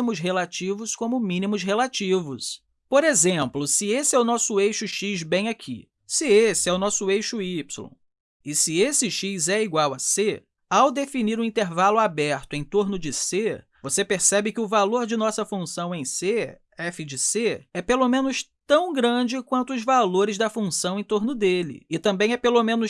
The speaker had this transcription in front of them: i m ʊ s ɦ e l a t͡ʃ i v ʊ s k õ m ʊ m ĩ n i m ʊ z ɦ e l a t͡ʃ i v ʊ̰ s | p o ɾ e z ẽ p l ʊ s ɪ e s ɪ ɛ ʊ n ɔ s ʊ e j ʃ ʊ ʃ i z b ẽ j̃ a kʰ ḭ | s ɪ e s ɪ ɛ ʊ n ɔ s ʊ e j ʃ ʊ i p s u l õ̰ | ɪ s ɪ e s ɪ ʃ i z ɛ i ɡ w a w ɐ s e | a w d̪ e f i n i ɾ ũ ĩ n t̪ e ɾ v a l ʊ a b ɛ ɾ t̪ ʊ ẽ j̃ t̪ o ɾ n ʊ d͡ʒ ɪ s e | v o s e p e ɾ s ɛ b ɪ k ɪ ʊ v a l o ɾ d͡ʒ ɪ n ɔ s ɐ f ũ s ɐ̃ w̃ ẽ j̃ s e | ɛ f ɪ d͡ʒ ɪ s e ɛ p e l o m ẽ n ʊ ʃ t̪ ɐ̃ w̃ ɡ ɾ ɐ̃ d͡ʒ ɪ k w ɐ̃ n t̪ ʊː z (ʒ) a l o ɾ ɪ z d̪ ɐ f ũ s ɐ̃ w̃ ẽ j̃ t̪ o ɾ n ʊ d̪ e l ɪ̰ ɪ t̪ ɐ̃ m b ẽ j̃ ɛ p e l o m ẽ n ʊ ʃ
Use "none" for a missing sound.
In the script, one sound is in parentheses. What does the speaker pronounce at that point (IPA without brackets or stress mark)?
v